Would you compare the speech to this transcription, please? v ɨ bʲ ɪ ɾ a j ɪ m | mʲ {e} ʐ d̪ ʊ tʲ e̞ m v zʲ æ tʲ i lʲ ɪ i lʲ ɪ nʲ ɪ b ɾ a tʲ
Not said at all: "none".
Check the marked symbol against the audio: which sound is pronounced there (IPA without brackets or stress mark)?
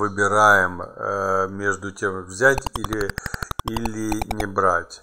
e